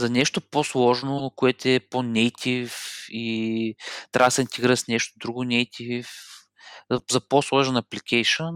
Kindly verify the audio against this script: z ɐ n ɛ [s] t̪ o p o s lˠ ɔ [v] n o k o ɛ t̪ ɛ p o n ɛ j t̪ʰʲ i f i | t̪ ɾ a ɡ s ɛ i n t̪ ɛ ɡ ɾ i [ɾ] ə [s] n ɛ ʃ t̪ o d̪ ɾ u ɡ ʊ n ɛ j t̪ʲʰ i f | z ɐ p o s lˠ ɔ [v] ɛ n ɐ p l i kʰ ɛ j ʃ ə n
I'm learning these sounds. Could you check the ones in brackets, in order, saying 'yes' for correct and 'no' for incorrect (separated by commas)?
no, no, yes, yes, no